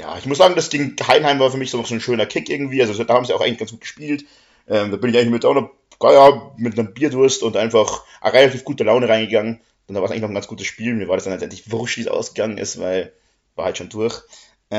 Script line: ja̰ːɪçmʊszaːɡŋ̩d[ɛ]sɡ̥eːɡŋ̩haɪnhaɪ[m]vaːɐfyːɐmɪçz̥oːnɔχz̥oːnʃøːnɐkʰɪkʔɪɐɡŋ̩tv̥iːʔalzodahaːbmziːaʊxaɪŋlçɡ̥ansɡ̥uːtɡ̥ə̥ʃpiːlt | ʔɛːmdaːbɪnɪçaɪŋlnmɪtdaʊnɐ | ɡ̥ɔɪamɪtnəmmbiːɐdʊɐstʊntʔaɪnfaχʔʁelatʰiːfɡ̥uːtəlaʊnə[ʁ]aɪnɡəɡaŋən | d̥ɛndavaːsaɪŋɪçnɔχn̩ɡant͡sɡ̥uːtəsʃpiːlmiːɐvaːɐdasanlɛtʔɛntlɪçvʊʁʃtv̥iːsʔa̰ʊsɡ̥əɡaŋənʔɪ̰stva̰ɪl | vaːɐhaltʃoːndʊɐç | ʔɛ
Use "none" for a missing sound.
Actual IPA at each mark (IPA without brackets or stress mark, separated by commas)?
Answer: a, m, ʁ